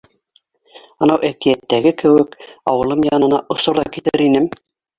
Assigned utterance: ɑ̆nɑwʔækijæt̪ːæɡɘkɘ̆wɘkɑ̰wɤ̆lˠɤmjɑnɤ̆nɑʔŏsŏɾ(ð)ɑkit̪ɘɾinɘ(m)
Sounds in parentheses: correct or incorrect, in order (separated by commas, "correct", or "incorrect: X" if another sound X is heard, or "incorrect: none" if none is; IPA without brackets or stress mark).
correct, correct